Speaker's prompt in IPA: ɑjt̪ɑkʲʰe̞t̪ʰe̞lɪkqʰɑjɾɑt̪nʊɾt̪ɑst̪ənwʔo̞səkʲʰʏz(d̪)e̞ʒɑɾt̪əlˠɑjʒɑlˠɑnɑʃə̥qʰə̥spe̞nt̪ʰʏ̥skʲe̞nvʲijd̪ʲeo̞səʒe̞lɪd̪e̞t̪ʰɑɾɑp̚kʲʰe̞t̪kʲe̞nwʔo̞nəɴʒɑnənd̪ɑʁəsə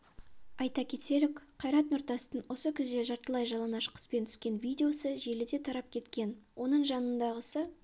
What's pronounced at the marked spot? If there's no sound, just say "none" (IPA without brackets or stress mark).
d̪